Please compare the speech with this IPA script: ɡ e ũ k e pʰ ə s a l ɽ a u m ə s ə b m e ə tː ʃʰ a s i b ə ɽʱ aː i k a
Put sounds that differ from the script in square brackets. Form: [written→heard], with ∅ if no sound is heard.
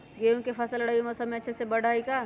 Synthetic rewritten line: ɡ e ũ k e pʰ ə s [a→ə] l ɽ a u m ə s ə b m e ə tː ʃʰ [a→e] s [i→e] b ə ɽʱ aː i k a